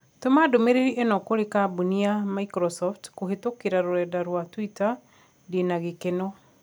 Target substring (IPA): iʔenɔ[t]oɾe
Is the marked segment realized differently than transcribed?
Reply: yes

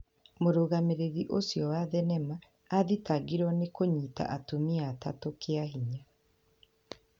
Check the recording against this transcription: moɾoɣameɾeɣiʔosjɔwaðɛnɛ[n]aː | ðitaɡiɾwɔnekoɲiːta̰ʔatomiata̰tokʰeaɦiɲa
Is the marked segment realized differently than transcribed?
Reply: yes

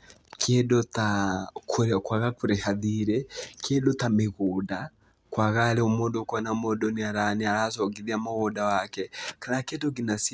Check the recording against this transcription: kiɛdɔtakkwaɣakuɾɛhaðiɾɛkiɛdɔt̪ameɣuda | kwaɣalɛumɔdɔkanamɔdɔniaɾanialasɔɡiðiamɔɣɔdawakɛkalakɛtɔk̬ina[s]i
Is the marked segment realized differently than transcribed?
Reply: no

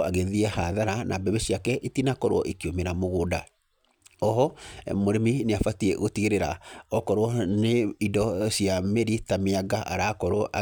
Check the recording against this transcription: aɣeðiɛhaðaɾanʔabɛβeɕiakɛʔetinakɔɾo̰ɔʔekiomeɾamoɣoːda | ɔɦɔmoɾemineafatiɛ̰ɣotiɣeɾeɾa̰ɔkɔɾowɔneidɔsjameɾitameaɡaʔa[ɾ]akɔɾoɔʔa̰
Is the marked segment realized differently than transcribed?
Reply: no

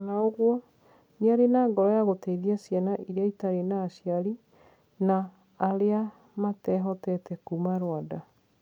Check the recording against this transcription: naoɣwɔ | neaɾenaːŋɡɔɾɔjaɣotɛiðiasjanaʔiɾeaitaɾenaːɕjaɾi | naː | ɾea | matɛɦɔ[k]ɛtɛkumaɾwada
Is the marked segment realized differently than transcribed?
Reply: yes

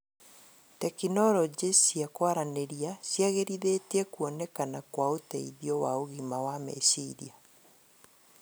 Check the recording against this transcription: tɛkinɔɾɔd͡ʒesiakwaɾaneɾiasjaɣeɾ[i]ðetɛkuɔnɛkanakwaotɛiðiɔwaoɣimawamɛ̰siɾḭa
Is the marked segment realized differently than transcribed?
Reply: no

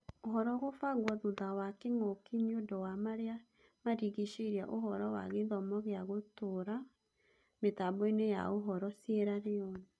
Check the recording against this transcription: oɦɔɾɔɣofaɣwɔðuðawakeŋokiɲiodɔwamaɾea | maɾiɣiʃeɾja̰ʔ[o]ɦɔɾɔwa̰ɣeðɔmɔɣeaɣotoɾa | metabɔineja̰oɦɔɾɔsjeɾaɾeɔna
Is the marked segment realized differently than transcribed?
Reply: no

